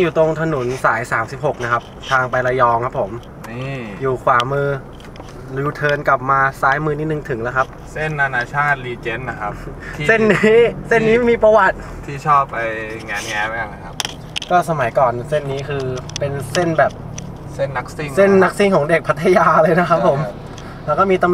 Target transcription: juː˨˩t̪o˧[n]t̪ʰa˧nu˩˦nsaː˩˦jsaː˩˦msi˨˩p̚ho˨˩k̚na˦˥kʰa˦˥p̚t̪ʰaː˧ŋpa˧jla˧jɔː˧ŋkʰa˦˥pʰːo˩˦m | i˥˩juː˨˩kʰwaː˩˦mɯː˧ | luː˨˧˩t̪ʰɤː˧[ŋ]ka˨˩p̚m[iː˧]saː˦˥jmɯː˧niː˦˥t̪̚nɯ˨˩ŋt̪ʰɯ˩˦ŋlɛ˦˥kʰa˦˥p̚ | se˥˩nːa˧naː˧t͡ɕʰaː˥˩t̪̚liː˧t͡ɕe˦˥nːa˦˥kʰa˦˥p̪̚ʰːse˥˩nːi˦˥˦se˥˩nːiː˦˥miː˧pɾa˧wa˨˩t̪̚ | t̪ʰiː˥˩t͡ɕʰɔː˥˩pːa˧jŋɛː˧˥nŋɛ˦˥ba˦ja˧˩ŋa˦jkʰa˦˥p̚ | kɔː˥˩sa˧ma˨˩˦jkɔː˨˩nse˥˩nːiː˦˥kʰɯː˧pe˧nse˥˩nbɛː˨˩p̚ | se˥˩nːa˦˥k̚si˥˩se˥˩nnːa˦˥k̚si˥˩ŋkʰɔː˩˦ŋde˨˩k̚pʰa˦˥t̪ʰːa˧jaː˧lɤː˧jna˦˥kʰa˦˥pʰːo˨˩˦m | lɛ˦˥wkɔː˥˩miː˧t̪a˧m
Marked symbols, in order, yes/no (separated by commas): no, no, no